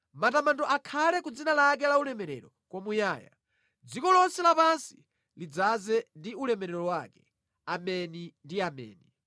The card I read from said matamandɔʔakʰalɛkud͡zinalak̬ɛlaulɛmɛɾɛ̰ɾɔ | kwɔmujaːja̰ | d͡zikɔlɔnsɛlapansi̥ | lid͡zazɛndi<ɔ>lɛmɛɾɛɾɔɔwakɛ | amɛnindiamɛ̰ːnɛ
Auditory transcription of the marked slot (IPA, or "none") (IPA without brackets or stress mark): u